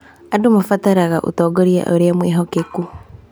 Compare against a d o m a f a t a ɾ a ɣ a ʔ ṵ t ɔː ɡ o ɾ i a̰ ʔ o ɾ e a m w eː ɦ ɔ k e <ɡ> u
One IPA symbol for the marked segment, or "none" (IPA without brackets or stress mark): k